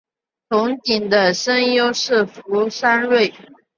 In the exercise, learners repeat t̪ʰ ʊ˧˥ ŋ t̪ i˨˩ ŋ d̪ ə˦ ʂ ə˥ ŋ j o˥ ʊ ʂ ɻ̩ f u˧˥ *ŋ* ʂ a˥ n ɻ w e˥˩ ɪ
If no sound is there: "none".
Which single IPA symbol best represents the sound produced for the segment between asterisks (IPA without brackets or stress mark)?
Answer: none